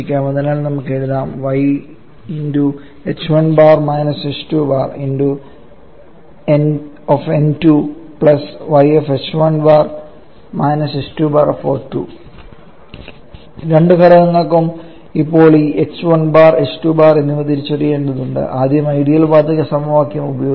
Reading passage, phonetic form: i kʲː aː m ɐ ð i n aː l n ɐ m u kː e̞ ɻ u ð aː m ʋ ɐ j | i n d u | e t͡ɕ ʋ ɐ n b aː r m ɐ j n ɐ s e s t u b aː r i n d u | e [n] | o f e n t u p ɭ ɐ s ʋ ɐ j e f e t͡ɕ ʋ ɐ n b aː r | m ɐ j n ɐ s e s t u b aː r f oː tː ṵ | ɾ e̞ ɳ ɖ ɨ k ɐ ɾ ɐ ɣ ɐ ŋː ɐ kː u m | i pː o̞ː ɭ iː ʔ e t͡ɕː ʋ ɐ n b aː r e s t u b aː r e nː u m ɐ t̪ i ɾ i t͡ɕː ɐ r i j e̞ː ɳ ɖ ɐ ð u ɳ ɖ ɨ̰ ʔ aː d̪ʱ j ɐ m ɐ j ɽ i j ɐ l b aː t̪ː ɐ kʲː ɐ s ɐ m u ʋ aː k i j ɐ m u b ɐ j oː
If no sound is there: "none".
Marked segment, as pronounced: n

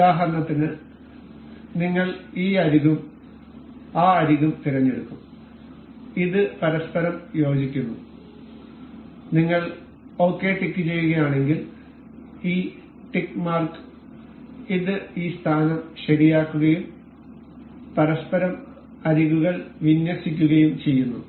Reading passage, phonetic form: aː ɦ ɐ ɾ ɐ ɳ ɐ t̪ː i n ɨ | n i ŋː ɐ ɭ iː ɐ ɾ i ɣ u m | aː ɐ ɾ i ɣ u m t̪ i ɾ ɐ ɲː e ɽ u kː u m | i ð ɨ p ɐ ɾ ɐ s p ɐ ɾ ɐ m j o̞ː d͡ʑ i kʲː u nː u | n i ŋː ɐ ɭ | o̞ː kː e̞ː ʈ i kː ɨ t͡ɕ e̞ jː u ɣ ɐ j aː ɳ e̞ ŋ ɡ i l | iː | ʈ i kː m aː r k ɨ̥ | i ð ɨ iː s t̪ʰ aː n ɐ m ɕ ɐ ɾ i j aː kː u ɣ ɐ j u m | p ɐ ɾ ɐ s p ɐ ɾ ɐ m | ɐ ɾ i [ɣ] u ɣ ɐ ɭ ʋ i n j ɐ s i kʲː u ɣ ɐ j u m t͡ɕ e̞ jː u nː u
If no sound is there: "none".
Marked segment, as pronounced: ɣ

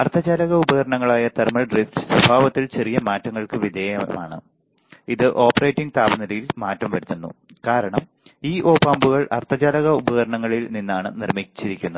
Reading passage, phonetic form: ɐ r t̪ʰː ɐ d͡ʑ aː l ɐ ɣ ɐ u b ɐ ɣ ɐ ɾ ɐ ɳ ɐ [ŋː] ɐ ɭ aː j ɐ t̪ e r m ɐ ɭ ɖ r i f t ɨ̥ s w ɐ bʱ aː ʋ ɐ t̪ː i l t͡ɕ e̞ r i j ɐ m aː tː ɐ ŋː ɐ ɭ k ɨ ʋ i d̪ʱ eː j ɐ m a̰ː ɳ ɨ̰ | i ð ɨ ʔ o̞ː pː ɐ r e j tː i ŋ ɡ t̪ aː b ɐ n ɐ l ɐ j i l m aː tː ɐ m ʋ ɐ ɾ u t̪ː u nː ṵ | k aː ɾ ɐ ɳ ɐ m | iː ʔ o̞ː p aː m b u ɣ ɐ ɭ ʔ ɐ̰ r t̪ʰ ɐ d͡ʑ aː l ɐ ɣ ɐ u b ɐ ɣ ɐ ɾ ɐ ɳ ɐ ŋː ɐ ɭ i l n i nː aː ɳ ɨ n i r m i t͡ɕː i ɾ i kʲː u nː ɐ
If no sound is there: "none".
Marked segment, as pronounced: ŋː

